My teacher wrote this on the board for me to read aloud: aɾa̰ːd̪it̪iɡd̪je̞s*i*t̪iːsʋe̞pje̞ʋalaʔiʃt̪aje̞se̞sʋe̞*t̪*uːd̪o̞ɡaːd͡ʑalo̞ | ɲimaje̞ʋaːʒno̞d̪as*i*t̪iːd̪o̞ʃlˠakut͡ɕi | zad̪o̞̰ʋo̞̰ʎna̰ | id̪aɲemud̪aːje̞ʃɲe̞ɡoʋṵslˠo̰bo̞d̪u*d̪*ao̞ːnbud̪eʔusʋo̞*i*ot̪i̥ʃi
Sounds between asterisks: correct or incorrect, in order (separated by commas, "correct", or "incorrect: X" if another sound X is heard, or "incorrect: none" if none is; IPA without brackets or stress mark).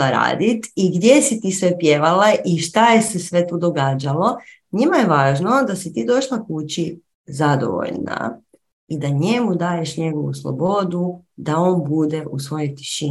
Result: correct, correct, correct, correct, incorrect: j